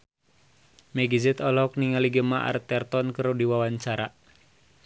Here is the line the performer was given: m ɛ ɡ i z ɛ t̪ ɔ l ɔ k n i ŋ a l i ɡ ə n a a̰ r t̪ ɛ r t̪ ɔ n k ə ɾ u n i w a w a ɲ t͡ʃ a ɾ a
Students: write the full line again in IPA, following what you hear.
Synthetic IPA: m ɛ ɡ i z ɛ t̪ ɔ l ɔ k n i ŋ a l i ɡ ə m a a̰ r t̪ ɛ r t̪ ɔ n k ə ɾ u d i w a w a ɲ t͡ʃ a ɾ a